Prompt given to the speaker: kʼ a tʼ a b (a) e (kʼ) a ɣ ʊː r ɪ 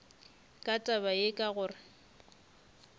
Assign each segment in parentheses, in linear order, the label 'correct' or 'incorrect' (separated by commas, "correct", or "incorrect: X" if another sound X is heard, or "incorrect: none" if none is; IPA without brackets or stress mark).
correct, correct